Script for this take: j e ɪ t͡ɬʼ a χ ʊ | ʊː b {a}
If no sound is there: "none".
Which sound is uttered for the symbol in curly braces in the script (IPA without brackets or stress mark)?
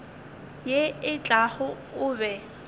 ɛ